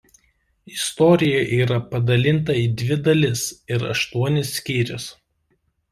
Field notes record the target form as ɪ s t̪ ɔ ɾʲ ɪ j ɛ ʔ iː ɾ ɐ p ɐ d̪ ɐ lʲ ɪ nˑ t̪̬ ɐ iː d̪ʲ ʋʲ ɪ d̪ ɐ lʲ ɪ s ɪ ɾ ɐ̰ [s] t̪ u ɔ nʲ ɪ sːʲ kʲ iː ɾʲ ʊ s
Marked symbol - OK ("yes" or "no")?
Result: no